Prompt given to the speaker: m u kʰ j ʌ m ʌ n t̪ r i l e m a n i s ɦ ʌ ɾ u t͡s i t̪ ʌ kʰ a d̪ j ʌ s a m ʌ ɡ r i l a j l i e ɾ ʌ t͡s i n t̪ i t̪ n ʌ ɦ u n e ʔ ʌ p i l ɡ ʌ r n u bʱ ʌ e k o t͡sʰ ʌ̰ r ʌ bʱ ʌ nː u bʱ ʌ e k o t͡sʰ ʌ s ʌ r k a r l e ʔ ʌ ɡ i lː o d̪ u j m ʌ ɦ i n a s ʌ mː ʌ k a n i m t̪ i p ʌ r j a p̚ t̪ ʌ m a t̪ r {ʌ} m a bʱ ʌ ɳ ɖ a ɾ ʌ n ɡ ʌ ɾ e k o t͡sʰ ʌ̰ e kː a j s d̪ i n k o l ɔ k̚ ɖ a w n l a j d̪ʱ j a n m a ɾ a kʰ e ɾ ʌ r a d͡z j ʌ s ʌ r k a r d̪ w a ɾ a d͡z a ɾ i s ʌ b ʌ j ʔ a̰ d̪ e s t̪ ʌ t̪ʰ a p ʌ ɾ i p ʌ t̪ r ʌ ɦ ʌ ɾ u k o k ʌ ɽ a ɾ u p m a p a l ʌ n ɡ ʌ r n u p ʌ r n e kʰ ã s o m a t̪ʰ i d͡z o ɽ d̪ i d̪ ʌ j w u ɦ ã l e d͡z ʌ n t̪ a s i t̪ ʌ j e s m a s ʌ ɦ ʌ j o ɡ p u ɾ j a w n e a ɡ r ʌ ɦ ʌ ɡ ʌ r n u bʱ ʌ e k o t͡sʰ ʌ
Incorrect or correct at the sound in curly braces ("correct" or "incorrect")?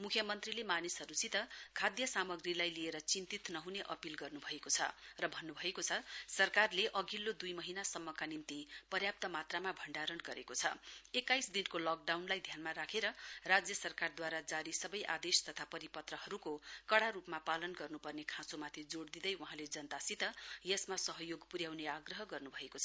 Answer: incorrect